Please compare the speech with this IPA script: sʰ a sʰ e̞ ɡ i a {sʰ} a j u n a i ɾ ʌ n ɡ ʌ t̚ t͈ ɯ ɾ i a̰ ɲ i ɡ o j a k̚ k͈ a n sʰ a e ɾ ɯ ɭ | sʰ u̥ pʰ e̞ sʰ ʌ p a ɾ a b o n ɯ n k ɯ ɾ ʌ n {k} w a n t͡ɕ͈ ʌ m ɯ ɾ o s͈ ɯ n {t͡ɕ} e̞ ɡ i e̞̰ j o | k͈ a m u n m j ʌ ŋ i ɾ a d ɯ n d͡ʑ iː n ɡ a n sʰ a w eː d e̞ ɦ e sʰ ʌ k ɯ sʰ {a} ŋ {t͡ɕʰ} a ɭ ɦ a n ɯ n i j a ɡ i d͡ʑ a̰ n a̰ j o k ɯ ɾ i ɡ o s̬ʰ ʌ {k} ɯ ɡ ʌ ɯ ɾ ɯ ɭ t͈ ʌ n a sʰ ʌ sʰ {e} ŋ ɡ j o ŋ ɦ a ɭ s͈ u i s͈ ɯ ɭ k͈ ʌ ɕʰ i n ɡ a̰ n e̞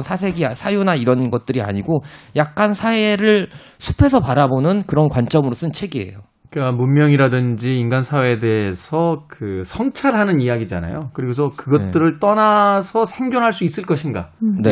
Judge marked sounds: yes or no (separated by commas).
yes, yes, no, no, yes, yes, yes